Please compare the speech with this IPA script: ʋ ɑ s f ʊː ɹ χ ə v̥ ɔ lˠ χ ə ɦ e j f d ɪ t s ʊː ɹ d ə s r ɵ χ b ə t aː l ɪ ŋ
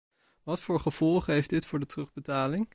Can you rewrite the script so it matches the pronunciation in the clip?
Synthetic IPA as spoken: ʋ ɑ t f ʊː ɹ χ ə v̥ ɔ lˠ χ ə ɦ e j f d ɪ t f ʊː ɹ d ə t r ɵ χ b ə t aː l ɪ ŋ